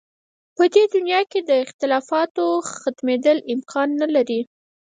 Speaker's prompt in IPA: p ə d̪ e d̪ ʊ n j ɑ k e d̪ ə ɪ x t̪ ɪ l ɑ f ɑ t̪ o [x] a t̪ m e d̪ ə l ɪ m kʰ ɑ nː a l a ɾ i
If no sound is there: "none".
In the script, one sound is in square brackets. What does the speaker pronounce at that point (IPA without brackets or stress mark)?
x